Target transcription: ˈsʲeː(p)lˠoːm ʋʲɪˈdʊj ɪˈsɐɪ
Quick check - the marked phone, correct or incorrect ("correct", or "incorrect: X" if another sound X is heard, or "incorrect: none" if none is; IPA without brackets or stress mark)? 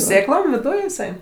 incorrect: k